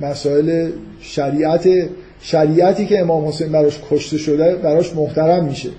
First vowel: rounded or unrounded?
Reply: unrounded